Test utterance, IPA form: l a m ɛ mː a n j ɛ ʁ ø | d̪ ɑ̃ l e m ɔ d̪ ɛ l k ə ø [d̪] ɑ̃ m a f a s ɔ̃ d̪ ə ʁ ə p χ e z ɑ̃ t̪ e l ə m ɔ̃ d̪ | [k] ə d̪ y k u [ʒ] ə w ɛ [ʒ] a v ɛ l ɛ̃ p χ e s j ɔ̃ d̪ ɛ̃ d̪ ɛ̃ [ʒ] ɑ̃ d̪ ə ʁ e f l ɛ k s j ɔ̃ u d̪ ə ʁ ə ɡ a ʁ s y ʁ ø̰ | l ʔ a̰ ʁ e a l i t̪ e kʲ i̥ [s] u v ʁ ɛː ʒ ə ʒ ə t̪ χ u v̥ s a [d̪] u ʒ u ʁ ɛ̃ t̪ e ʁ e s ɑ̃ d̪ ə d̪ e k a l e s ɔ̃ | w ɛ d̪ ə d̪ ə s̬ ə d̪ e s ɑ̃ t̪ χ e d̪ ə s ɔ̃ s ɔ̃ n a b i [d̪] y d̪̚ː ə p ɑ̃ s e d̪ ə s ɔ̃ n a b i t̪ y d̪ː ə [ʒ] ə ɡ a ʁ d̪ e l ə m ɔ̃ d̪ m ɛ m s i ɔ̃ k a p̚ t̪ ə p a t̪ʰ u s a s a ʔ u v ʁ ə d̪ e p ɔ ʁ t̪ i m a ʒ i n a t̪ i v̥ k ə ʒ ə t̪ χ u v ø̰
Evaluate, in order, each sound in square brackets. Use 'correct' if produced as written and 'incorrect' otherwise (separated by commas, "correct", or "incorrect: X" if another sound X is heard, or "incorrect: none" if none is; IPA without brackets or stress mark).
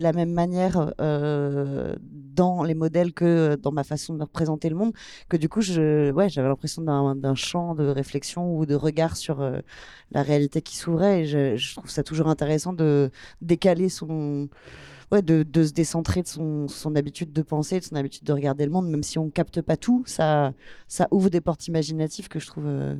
correct, correct, correct, correct, incorrect: ʃ, correct, incorrect: t̪, incorrect: t̪, incorrect: ʁ